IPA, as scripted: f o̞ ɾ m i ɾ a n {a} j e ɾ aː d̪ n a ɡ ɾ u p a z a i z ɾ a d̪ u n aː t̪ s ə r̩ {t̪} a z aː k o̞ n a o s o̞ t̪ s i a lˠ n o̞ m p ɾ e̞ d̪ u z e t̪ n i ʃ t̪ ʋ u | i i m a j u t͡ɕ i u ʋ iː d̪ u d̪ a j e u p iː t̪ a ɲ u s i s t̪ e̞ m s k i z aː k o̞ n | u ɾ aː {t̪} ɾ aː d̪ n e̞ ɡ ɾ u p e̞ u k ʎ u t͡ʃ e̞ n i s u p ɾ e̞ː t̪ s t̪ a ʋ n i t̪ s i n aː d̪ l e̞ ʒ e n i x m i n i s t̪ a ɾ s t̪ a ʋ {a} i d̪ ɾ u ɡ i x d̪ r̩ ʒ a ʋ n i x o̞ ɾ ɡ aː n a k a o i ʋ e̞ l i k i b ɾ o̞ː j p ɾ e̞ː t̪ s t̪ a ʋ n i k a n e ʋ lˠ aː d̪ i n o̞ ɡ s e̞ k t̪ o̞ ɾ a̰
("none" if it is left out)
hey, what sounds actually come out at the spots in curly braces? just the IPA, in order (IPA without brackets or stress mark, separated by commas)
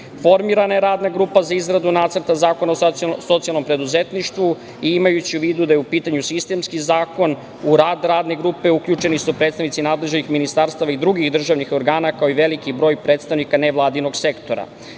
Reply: a, t̪, d̪, a